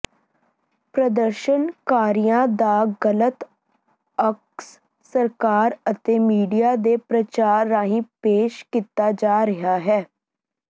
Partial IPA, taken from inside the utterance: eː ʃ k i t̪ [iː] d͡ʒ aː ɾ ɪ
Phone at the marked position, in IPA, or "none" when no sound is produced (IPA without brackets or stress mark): aː